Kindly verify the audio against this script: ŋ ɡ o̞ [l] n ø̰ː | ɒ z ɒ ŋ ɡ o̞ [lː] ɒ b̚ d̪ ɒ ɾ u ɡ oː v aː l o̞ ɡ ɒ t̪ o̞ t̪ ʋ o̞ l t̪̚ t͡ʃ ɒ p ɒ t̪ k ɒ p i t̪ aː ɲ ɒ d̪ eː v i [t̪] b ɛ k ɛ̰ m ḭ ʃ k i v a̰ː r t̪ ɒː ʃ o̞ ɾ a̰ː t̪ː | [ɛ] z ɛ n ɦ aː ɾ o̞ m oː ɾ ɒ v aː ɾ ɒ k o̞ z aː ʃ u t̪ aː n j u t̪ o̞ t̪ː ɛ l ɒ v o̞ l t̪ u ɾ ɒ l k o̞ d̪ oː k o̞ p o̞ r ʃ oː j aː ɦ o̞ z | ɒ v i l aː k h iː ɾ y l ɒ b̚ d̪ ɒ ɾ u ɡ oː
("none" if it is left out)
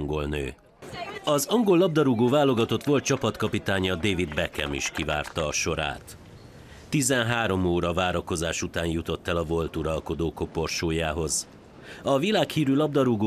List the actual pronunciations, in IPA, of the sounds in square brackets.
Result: l, lː, d̪, i

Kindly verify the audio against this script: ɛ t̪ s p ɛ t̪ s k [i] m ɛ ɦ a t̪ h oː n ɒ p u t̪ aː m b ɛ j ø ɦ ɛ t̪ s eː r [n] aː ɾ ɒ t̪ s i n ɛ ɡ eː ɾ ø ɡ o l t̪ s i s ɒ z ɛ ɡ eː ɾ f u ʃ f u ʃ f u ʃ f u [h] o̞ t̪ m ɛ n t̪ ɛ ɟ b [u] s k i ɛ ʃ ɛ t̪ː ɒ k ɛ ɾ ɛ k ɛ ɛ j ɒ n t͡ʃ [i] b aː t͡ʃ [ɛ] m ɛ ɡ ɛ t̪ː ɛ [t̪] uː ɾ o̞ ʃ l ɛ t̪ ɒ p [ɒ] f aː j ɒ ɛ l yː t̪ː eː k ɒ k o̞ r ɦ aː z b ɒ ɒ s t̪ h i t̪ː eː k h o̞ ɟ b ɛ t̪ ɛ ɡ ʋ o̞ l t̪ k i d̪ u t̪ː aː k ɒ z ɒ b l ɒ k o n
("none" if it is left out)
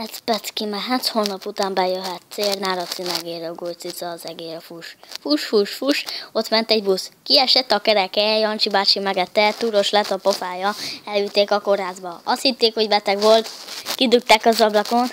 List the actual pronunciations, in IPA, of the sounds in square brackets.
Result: i, n, ʃ, u, i, i, t̪, o

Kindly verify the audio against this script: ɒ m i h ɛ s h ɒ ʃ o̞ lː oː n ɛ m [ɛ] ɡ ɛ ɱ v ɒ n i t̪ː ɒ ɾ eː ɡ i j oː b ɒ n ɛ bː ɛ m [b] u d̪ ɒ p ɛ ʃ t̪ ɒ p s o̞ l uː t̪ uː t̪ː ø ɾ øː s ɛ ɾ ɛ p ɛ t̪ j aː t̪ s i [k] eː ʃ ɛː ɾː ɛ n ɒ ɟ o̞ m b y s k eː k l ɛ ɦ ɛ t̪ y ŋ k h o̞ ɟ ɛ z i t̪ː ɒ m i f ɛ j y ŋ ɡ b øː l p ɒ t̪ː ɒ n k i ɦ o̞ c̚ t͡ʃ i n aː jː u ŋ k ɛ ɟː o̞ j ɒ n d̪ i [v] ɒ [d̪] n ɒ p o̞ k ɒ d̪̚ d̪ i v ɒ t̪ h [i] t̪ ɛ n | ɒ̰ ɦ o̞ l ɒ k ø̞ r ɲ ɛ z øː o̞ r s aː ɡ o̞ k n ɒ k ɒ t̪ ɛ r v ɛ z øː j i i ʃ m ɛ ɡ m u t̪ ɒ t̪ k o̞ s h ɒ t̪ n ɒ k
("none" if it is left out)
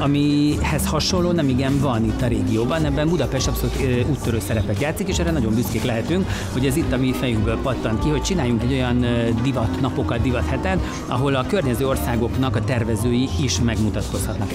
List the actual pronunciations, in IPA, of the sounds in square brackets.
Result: i, b, k, v, t̪, ɛ

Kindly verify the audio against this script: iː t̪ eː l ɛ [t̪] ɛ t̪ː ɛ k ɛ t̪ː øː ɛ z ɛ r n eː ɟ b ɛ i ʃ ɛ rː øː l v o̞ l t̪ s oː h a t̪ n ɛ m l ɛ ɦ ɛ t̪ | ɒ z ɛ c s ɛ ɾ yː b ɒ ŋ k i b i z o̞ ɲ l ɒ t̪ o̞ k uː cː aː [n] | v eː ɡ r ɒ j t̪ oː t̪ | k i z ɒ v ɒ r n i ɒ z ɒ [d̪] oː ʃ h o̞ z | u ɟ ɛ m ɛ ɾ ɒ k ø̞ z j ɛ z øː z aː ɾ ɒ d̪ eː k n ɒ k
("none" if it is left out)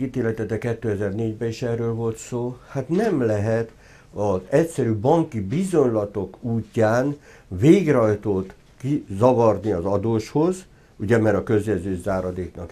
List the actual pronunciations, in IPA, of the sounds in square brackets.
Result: t̪, n, d̪

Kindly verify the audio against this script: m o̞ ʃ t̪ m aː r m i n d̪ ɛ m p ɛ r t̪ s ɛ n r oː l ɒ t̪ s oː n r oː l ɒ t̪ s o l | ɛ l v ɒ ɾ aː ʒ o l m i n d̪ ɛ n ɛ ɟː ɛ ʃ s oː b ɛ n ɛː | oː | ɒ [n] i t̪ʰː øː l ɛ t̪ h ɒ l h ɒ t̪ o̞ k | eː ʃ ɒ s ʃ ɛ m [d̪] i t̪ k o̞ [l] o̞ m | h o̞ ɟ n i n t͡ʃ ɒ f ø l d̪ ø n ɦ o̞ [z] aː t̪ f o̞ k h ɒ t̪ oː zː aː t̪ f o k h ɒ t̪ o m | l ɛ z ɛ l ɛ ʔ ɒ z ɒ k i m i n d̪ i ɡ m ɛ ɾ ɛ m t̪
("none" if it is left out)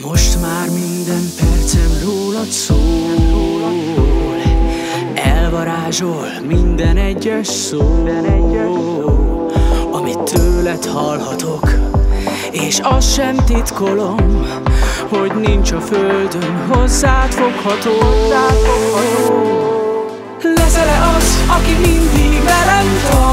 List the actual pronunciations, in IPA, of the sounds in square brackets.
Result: m, t̪, l, zː

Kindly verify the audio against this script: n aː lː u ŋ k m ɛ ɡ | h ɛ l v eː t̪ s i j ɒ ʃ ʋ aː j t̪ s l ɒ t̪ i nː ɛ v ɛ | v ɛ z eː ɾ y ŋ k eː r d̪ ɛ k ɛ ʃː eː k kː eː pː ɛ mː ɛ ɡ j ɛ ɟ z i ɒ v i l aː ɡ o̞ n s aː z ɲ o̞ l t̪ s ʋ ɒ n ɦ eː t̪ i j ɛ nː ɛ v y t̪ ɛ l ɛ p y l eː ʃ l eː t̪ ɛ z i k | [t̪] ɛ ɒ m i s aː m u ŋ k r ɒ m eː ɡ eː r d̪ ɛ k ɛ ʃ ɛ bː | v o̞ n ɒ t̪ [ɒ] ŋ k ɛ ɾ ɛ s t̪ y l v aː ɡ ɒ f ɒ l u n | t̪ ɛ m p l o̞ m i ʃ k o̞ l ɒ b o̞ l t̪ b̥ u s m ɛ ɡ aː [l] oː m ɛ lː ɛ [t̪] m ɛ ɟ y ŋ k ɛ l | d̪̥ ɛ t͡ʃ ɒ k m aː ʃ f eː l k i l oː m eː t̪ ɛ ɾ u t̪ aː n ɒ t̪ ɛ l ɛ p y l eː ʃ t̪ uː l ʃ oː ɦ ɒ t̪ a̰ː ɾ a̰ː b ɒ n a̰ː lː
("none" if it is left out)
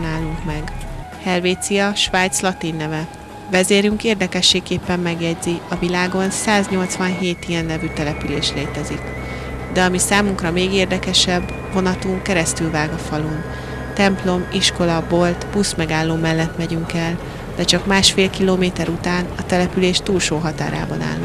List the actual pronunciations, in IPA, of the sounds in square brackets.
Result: d̪, u, lː, t̪

